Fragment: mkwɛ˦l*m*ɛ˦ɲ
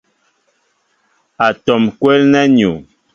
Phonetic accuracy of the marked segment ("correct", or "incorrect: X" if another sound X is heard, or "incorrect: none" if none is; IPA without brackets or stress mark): incorrect: n